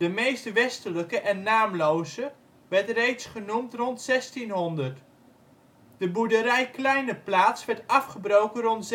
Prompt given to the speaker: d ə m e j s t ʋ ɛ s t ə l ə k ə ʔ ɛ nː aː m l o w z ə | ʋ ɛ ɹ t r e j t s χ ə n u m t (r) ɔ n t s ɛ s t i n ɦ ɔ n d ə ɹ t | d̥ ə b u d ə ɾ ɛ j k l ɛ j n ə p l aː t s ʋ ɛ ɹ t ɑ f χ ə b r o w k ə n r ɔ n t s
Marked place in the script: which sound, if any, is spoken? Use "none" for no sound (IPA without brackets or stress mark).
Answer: r